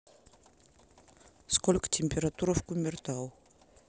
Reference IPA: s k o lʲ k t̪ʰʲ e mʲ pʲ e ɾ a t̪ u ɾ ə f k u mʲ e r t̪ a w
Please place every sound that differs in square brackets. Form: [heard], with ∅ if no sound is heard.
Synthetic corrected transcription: s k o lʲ k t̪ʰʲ e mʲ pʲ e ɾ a t̪ u ɾ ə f k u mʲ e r t̪ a w